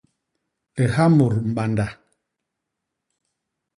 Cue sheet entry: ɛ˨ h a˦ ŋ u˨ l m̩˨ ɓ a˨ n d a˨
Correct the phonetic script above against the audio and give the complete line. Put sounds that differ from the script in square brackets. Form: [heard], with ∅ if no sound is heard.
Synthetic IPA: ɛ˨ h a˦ [m] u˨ [ɾ] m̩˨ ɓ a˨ n d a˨